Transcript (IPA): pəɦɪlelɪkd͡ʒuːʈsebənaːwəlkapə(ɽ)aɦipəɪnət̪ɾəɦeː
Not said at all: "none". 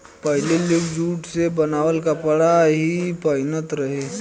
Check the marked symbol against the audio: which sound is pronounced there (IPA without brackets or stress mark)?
ɽ